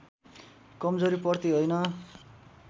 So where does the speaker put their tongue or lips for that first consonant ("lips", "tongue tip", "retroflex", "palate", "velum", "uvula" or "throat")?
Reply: velum